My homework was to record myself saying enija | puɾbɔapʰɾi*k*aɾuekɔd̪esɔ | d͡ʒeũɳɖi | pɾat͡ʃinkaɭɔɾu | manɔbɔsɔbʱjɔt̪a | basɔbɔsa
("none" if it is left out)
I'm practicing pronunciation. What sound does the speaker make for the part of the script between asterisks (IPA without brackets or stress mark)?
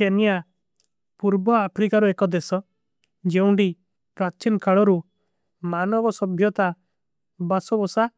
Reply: k